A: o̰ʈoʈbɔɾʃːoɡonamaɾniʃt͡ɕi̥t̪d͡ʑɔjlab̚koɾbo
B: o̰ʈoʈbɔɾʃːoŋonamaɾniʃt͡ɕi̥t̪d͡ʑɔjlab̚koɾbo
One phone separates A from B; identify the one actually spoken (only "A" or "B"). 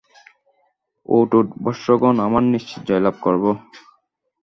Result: A